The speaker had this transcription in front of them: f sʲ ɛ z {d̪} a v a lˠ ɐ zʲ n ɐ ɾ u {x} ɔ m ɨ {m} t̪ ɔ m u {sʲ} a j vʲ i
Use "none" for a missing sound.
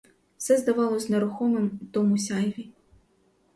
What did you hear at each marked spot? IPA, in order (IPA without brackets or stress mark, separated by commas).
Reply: d̪, x, m, sʲ